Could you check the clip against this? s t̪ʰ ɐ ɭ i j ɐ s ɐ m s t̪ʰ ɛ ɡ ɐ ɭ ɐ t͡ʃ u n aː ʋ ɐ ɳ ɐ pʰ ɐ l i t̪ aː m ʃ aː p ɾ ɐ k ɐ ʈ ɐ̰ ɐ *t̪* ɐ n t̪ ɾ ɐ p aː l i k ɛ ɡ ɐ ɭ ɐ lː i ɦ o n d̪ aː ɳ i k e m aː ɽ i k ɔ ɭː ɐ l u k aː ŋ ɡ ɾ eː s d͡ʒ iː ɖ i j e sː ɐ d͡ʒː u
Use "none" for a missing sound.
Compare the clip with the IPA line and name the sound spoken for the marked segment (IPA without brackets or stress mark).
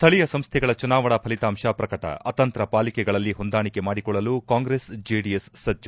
t̪